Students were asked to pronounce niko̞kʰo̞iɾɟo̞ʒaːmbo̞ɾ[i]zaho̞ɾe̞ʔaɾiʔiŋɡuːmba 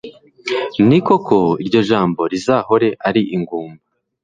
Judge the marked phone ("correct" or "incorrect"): correct